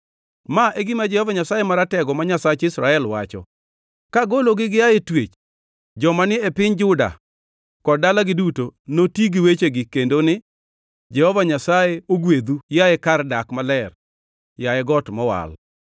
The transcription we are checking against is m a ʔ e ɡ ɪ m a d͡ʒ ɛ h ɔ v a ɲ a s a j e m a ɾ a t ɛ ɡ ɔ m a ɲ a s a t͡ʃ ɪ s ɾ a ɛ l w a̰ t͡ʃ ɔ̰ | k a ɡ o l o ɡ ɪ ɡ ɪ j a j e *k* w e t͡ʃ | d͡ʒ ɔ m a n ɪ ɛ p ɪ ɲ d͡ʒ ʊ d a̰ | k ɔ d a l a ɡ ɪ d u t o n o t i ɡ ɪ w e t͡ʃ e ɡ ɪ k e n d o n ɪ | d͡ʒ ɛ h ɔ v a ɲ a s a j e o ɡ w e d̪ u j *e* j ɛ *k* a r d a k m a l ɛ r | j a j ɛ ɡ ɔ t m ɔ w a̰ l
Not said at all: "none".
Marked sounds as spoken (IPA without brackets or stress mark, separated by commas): t, a, k